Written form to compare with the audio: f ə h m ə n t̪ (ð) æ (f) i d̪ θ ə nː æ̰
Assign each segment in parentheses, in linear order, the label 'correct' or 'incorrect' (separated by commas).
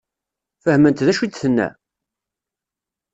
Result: correct, incorrect